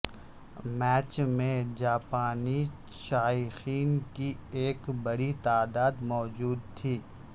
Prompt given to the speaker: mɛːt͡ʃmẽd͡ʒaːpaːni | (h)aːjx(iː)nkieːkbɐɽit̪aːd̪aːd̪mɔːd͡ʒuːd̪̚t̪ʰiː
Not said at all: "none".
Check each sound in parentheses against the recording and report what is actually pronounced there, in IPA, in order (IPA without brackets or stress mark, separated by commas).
ʃ, iː